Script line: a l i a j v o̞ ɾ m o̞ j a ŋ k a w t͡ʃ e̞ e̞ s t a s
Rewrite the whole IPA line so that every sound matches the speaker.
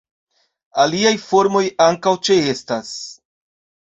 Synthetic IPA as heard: a l i a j f o̞ ɾ m o̞ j a ŋ k a w t͡ʃ e̞ e̞ s t a s